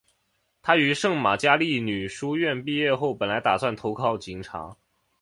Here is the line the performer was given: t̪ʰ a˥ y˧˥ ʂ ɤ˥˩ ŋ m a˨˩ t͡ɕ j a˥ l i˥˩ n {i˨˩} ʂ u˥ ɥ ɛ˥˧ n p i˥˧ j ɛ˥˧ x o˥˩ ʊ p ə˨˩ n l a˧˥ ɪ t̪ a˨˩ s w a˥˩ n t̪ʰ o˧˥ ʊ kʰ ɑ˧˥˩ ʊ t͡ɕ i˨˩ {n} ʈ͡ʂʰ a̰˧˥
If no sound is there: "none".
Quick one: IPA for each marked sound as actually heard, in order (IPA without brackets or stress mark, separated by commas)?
y˨˩, ŋ